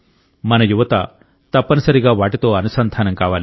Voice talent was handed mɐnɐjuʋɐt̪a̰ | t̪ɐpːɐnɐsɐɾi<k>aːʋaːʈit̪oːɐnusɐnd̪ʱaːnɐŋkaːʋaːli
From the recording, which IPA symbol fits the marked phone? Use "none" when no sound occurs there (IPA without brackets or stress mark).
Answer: ɡ